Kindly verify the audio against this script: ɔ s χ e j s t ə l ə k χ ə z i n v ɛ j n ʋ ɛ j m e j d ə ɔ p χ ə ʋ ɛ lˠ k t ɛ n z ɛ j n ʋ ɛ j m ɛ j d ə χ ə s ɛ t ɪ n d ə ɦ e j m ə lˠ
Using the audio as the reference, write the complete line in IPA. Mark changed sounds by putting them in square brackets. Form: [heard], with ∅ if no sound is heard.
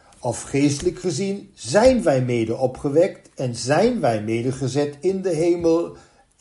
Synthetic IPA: ɔ [f] χ e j s t ə l ə k χ ə z i n [z] ɛ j n ʋ ɛ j m e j d ə ɔ p χ ə ʋ ɛ [∅] k t ɛ n z ɛ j n ʋ ɛ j m [e] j d ə χ ə [z] ɛ t ɪ n d ə ɦ e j m ə lˠ